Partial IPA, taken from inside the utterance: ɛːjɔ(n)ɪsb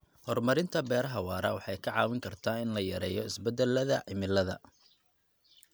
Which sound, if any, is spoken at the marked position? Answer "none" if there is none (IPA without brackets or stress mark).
none